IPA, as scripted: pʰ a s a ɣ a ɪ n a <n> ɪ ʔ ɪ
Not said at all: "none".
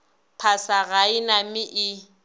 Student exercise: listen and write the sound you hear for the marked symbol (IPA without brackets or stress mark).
m